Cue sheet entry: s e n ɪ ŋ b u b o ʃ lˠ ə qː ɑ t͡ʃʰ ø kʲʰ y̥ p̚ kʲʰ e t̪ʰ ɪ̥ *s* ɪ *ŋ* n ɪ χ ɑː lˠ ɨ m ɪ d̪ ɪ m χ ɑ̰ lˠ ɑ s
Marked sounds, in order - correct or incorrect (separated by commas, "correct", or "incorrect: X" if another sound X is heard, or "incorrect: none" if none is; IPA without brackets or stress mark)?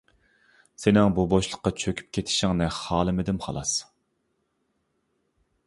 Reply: incorrect: ʃ, correct